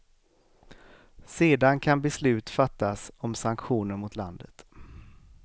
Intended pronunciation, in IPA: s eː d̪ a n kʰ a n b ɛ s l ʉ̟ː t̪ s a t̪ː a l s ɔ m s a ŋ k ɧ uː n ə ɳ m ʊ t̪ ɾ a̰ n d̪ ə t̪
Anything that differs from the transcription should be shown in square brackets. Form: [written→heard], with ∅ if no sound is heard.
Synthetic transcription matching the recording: s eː d̪ a n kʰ a n b ɛ s l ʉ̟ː t̪ [s→f] a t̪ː a [l→∅] s ɔ m s a ŋ k ɧ uː n ə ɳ m ʊ t̪ [ɾ→l] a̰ n d̪ ə t̪